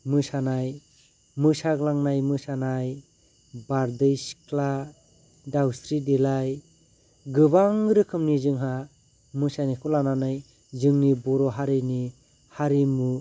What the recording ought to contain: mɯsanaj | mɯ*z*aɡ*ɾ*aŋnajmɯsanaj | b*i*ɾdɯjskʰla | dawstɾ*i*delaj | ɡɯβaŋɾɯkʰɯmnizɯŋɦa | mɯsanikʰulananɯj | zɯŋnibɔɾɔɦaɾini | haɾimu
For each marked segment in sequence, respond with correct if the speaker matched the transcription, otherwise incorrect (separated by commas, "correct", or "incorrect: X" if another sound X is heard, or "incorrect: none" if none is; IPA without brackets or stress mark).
incorrect: s, incorrect: l, incorrect: a, correct